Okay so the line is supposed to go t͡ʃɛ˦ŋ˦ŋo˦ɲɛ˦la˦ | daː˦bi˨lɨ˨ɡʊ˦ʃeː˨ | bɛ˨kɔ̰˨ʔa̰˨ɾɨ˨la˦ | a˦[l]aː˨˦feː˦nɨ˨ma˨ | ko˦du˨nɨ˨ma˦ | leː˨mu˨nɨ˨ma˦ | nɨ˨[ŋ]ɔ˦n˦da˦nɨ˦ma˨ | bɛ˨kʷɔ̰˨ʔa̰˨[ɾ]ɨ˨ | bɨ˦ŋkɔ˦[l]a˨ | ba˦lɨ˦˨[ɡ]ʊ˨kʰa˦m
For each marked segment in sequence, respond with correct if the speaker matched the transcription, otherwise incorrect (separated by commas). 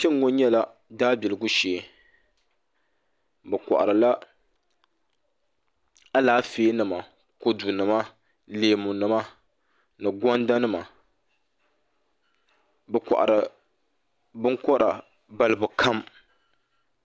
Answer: correct, incorrect, correct, incorrect, incorrect